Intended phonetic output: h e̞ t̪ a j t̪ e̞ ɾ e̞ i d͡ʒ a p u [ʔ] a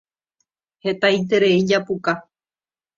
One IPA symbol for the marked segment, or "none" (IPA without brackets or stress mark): k